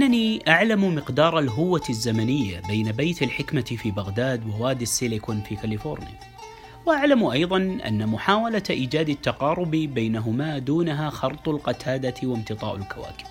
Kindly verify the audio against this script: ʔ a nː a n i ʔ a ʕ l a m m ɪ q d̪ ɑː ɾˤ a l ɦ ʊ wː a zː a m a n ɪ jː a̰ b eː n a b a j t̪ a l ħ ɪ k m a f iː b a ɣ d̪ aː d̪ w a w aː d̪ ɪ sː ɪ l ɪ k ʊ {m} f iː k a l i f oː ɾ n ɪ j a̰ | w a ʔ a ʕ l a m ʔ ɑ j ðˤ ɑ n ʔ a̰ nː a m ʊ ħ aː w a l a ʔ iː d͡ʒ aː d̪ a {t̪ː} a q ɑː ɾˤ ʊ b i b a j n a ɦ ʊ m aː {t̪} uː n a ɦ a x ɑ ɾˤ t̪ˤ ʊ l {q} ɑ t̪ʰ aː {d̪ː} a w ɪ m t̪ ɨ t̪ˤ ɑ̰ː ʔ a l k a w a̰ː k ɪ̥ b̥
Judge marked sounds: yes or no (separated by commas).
no, yes, no, yes, no